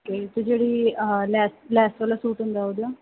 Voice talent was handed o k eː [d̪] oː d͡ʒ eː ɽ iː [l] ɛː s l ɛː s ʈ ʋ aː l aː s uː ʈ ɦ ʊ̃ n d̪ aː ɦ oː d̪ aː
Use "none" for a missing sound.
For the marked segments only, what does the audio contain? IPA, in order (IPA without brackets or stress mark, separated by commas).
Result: t̪, l